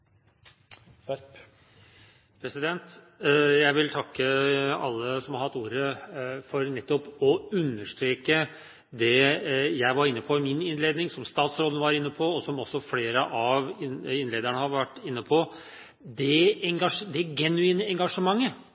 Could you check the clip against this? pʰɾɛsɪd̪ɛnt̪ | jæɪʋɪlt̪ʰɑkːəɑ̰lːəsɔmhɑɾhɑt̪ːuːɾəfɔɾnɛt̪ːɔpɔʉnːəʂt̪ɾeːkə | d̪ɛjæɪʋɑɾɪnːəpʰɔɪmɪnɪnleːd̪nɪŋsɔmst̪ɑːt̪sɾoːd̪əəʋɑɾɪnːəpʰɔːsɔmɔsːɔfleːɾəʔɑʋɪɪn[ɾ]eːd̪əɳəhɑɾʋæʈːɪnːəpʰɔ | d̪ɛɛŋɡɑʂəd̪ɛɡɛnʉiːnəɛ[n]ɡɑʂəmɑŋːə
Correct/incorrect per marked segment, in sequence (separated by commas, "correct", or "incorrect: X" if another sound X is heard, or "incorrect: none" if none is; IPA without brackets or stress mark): incorrect: l, incorrect: ŋ